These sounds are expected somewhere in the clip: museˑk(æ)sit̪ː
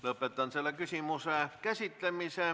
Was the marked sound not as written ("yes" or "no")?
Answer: no